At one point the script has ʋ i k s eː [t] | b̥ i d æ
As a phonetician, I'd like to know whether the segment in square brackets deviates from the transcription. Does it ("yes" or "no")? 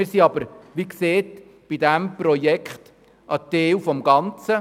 no